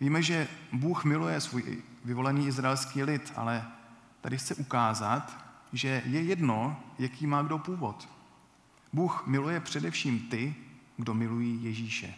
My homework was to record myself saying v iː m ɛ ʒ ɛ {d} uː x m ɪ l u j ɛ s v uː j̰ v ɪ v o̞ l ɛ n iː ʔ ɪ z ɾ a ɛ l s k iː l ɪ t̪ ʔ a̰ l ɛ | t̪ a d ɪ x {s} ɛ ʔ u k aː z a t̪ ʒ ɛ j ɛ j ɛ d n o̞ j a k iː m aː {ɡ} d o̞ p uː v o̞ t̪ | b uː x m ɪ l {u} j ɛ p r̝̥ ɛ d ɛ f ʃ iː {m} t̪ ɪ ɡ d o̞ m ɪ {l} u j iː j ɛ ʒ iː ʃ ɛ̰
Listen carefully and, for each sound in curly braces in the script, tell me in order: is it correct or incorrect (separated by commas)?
incorrect, incorrect, correct, correct, correct, correct